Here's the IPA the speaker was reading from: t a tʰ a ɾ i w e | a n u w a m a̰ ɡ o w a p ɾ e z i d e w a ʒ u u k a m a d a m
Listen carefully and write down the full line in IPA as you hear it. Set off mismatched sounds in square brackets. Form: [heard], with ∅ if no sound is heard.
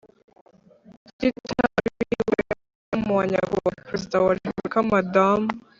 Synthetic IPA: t [i] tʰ a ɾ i w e | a [m] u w a [ɲ] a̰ ɡ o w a p ɾ e z i d [a] w a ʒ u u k a m a d a m